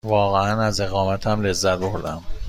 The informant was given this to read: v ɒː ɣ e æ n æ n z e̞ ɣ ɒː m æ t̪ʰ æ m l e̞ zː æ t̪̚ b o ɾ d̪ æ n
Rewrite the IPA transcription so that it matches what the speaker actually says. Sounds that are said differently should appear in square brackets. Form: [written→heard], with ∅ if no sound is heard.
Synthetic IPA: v ɒː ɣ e æ n æ [n→∅] z e̞ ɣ ɒː m æ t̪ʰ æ m l e̞ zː æ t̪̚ b o ɾ d̪ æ [n→m]